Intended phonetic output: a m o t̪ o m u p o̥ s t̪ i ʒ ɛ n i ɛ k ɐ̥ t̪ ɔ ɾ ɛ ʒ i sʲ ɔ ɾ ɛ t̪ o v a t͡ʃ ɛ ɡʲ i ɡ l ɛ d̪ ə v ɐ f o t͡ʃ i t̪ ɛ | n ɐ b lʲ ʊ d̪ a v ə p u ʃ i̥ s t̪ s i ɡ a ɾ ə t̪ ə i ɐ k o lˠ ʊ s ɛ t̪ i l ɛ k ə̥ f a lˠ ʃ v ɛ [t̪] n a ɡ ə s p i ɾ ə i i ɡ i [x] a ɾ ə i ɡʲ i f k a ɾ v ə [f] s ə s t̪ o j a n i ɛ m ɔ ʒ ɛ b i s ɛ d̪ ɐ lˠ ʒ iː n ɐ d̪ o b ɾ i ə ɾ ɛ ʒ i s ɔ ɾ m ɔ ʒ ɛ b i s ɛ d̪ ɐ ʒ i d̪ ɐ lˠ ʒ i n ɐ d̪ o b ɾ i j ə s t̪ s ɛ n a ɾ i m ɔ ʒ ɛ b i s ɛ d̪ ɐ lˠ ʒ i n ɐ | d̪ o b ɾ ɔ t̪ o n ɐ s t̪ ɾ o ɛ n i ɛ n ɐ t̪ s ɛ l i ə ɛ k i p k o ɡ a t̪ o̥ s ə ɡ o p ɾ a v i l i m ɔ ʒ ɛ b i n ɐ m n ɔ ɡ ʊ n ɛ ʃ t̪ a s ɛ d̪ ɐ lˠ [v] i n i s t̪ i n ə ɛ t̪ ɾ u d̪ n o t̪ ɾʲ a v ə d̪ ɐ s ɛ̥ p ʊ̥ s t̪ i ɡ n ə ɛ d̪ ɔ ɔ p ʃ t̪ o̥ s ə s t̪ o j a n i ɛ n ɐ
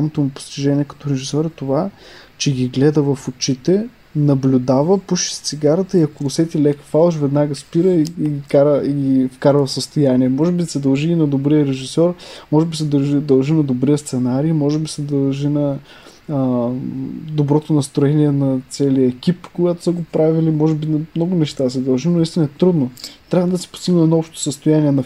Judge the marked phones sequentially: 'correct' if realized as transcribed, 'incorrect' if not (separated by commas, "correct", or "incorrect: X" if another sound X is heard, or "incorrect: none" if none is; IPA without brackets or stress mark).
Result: incorrect: d̪, incorrect: k, correct, incorrect: ʒ